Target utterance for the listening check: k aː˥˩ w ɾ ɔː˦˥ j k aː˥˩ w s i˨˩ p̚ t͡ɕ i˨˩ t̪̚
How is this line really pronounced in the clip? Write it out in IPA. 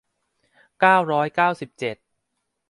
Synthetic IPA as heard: k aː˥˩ w ɾ ɔː˦˥ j k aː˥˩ w s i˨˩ p̚ t͡ɕ e˨˩ t̪̚